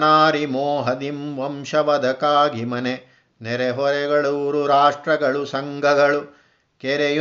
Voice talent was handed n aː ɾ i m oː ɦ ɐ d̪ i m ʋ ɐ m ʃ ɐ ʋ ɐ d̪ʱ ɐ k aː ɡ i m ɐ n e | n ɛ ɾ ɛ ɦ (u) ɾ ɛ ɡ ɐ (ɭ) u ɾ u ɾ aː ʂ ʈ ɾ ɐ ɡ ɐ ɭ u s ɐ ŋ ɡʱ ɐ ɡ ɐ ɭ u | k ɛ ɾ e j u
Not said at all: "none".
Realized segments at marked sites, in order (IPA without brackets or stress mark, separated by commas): ɔ, ɭ